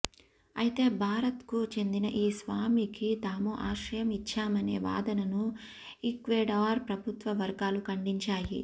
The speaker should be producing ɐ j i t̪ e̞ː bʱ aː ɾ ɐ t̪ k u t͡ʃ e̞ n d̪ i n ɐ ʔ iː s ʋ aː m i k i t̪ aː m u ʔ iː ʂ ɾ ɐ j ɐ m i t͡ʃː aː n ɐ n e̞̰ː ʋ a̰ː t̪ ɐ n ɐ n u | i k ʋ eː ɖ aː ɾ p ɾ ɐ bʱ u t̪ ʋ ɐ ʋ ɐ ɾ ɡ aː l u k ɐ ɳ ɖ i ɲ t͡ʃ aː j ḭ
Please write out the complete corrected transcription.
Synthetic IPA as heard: ɐ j i t̪ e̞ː bʱ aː ɾ ɐ t̪ k u t͡ʃ e̞ n d̪ i n ɐ ʔ iː s ʋ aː m i k i t̪ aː m u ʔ aː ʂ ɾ ɐ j ɐ m i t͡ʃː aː m ɐ n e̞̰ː ʋ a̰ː d̪ ɐ n ɐ n u | i k ʋ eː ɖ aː ɾ p ɾ ɐ bʱ u t̪ ʋ ɐ ʋ ɐ ɾ ɡ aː l u k ɐ ɳ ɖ i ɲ t͡ʃ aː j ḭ

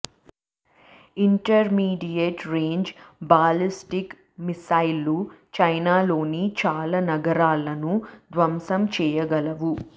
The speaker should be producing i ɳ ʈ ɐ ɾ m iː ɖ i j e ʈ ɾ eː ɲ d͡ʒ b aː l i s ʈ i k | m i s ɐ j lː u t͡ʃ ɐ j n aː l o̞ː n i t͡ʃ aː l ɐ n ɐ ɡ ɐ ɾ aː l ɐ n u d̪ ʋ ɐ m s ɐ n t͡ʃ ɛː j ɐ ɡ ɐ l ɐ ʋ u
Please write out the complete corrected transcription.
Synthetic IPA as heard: i ɳ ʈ ɐ ɾ m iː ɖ i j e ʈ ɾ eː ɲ d͡ʒ b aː l i s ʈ i k | m i s ɐ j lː u t͡ʃ ɐ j n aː l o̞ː n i t͡ʃ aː l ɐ n ɐ ɡ ɐ ɾ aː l ɐ n u d̪ ʋ ɐ m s ɐ m t͡ʃ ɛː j ɐ ɡ ɐ l ɐ ʋ u

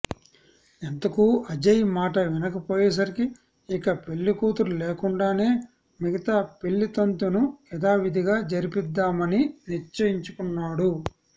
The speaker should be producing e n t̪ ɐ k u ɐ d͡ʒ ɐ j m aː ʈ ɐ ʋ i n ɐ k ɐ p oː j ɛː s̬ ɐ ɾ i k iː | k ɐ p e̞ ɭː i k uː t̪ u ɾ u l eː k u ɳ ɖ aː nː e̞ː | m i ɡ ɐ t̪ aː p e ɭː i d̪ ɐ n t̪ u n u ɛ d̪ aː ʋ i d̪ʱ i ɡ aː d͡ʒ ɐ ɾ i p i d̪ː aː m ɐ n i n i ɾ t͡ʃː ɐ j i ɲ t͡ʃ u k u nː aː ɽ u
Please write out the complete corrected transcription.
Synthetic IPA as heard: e n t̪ ɐ k u ɐ d͡ʒ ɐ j m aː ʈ ɐ ʋ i n ɐ k ɐ p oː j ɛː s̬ ɐ ɾ i k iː | k ɐ p e̞ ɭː i k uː t̪ u ɾ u l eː k u ɳ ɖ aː n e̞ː | m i ɡ ɐ t̪ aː p e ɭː i t̪ ɐ n t̪ u n u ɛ d̪ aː ʋ i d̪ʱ i ɡ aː d͡ʒ ɐ ɾ i p i d̪ː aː m ɐ n i n i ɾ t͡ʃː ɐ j i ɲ t͡ʃ u k u nː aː ɽ u

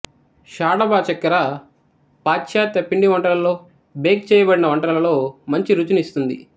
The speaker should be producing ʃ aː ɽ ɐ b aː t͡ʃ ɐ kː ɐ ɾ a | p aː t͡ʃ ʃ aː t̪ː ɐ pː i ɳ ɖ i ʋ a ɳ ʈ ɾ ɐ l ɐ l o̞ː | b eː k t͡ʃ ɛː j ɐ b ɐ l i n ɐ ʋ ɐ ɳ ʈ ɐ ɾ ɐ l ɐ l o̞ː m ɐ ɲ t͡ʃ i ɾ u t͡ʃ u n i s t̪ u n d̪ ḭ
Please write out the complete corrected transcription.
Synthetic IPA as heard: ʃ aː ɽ ɐ b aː t͡ʃ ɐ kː ɐ ɾ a | p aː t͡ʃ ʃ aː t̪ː ɐ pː i ɳ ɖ i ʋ ɐ ɳ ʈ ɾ ɐ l ɐ l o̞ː | b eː k t͡ʃ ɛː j ɐ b ɐ ɽ i n ɐ ʋ ɐ ɳ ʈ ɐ ɾ ɐ l ɐ l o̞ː m ɐ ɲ t͡ʃ i ɾ u t͡ʃ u n i s t̪ u n d̪ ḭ

